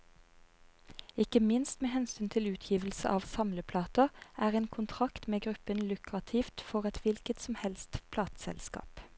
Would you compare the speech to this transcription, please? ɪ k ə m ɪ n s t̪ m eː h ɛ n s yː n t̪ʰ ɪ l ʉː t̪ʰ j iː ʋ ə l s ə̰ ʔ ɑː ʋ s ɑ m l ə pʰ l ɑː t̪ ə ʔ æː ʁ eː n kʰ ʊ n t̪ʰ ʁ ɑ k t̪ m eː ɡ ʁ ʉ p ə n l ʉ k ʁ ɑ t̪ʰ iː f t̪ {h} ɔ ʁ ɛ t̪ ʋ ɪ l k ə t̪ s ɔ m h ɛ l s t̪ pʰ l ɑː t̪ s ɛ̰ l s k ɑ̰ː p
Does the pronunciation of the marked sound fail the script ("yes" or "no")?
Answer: yes